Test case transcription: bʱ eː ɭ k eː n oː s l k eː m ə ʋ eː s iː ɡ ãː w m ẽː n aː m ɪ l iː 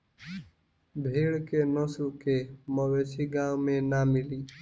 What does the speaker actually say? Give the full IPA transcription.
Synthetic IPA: bʱ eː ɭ k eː n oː s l k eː m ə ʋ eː s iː ɡ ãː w m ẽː n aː m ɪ l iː